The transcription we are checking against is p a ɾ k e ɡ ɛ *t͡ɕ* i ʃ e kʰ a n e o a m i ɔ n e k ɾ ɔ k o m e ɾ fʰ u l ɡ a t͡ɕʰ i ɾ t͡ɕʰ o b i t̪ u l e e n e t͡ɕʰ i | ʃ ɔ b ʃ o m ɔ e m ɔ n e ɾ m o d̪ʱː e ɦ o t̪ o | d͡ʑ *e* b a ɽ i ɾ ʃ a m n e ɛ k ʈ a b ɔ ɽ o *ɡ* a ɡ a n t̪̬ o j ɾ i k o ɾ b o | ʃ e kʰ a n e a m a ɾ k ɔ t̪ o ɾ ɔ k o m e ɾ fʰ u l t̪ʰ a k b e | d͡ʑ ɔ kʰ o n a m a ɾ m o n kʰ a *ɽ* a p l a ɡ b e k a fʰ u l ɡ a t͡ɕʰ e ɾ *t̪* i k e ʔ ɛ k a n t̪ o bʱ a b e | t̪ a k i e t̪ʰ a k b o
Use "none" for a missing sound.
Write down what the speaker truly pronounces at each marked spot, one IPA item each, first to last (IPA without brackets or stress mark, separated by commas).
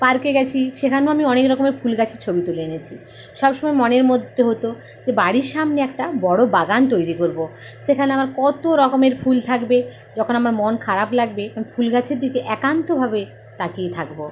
t͡ɕʰ, e, b, ɾ, d̪